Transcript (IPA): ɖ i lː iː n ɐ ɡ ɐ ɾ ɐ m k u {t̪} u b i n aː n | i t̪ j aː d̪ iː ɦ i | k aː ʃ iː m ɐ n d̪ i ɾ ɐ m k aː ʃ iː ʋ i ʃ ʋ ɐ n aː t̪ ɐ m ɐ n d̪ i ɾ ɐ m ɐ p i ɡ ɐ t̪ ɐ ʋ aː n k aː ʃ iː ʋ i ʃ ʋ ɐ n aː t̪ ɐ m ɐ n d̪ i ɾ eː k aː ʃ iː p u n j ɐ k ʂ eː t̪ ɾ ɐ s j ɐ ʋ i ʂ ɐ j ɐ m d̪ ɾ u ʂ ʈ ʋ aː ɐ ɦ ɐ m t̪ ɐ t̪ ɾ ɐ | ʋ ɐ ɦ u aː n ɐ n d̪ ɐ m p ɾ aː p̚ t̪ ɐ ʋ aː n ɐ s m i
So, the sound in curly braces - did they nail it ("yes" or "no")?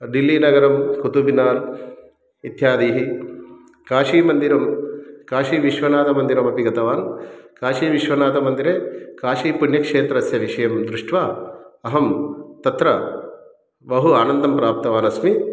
yes